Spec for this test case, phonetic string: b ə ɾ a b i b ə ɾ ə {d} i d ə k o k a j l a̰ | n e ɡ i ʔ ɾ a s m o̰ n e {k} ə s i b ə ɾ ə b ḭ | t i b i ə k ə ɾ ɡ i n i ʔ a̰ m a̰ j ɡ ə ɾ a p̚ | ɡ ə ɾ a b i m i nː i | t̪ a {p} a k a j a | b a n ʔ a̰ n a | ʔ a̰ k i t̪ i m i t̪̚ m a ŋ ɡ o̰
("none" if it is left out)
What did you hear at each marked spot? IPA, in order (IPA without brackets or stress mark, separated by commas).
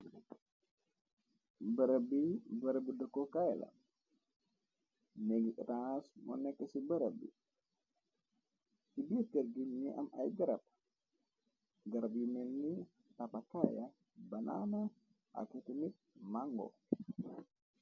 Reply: b, k, p